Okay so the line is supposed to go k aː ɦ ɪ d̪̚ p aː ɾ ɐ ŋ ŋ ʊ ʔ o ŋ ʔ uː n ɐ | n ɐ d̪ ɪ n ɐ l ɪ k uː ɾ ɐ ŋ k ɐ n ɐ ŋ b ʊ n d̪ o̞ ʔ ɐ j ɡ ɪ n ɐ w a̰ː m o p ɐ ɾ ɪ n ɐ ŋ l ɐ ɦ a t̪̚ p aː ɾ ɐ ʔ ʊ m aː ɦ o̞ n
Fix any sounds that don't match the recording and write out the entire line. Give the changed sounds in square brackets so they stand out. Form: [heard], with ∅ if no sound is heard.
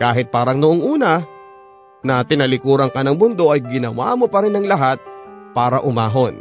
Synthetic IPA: k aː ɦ ɪ [t̪̚] p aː ɾ ɐ ŋ [n] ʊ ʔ o ŋ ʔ uː n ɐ | n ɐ [t̪] ɪ n ɐ l ɪ k uː ɾ ɐ ŋ k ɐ n ɐ ŋ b ʊ n d̪ o̞ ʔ ɐ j ɡ ɪ n ɐ w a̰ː m o p ɐ ɾ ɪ n ɐ ŋ l ɐ ɦ a t̪̚ p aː ɾ ɐ ʔ ʊ m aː ɦ o̞ n